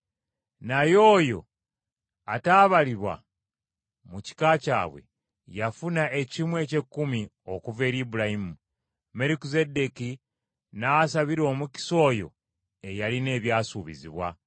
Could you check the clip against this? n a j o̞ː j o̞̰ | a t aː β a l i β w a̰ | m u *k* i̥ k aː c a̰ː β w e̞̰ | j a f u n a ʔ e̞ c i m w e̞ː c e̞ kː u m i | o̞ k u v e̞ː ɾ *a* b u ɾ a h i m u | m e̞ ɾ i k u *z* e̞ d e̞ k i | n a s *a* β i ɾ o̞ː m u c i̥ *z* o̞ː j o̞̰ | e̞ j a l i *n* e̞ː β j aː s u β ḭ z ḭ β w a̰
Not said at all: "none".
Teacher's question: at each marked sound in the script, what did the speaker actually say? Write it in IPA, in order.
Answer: c, i, z, a, s, n

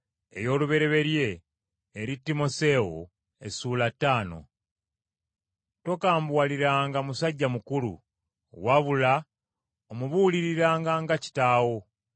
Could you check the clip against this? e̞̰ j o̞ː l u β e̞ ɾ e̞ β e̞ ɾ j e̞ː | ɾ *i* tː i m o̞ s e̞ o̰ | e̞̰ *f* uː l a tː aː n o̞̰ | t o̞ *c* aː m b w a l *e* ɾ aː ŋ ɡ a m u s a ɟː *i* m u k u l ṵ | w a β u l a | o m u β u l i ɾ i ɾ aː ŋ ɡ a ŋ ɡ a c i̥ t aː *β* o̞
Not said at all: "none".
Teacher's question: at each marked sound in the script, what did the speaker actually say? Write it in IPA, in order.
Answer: i, s, k, i, a, w

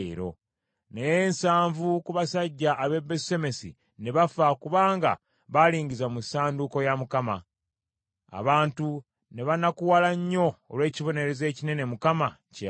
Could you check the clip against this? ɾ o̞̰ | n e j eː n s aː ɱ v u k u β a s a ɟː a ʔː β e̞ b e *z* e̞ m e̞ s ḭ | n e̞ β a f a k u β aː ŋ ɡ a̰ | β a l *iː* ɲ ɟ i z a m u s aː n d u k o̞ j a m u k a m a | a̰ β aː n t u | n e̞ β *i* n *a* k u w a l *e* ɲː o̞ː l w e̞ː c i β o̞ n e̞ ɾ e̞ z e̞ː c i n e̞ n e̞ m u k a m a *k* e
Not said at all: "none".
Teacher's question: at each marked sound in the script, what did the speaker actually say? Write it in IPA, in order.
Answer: s, iː, a, a, a, c

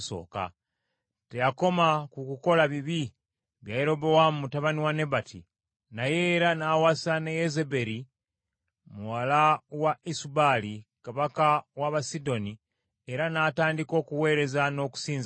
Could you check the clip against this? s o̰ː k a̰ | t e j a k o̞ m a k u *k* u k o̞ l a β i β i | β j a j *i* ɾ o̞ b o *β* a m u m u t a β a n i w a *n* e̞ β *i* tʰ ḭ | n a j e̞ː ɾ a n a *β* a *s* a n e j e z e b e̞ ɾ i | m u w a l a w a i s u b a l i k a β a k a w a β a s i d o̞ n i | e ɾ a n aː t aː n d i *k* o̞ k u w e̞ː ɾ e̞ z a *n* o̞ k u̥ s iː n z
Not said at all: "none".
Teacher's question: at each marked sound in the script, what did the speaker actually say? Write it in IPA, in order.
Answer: k, e, w, n, a, w, s, k, n

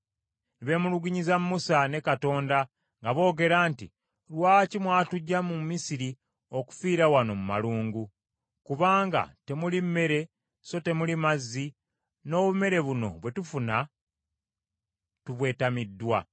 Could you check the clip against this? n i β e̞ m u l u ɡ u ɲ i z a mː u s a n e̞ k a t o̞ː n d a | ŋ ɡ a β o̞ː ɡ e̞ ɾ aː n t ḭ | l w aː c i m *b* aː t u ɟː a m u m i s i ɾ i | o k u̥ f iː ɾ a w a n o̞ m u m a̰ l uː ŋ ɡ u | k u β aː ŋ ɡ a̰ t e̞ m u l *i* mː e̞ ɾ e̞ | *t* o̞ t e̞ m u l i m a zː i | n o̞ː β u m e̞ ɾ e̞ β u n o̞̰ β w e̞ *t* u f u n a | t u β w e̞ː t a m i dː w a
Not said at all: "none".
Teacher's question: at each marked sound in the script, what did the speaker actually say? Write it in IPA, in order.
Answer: w, i, s, t

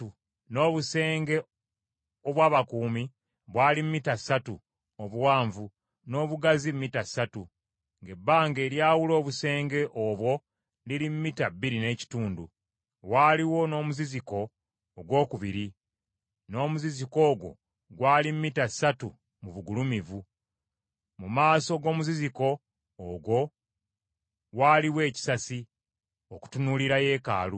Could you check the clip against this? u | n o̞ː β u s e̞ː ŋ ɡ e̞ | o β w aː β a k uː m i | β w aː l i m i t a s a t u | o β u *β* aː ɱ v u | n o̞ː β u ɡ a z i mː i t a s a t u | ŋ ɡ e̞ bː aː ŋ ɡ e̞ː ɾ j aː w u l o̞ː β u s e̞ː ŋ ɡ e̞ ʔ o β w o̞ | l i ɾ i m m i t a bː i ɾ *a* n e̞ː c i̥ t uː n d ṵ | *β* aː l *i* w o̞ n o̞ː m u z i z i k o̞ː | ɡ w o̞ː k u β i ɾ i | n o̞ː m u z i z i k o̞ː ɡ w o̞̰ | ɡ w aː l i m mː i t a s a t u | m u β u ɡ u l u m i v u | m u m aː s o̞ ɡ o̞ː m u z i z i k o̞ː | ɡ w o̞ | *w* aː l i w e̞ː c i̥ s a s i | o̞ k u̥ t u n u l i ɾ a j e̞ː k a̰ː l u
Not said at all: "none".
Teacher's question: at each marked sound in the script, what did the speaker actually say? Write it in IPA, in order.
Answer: w, i, w, i, w

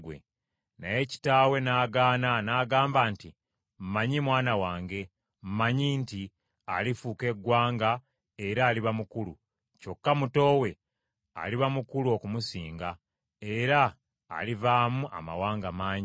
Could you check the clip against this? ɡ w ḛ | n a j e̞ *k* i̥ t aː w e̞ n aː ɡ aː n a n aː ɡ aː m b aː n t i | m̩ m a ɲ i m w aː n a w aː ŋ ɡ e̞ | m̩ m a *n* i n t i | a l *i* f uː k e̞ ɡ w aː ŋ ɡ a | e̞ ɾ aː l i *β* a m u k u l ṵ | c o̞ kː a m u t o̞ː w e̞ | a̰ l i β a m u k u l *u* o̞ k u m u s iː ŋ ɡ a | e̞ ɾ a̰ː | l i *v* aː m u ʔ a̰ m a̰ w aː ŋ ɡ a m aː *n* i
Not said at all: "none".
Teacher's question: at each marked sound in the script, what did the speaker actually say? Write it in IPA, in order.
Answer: c, ɲ, i, β, u, v, ɲ

